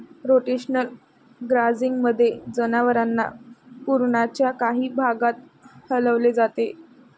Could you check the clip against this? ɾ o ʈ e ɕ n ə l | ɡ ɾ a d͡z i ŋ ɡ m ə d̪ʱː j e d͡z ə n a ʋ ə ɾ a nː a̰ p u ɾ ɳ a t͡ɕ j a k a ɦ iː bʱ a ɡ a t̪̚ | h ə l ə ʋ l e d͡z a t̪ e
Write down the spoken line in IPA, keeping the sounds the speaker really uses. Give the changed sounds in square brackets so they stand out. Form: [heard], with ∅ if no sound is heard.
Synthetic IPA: ɾ o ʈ e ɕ n ə l | ɡ ɾ a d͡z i ŋ ɡ m ə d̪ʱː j e d͡z ə n a ʋ ə ɾ a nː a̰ p u ɾ ɳ a t͡ɕ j a k a ɦ iː bʱ a ɡ a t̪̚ | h ə l ə ʋ l e d͡z a t̪ e